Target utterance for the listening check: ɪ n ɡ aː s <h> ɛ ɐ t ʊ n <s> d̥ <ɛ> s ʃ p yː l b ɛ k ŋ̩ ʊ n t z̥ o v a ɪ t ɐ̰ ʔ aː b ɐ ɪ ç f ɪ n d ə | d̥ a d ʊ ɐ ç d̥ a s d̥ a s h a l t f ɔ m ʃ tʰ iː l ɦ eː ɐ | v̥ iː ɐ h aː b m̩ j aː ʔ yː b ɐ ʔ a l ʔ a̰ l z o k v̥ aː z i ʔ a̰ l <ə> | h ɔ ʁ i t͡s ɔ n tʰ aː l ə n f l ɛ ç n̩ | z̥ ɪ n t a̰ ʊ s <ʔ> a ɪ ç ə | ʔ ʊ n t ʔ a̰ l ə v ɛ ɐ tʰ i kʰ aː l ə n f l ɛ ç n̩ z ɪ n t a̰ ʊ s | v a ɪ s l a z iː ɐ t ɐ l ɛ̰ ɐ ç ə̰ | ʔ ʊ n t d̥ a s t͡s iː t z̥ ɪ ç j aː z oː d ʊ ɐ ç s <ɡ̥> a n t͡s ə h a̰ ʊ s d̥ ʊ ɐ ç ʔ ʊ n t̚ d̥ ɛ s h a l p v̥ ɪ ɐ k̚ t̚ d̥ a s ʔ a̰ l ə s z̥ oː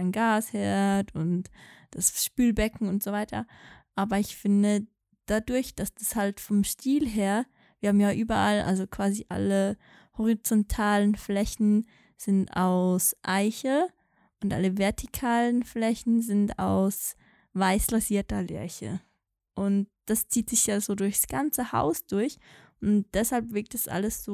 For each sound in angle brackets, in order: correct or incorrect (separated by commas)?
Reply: correct, incorrect, incorrect, correct, correct, correct